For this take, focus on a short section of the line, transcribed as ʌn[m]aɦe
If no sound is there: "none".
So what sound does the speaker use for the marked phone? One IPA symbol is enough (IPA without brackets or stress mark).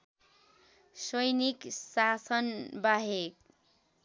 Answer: b